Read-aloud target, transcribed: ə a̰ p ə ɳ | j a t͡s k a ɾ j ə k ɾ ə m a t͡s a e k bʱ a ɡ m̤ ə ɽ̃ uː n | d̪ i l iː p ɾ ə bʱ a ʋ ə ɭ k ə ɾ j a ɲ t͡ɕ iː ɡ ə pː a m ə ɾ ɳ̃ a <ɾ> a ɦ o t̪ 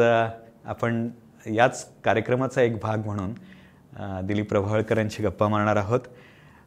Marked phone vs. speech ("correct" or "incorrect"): correct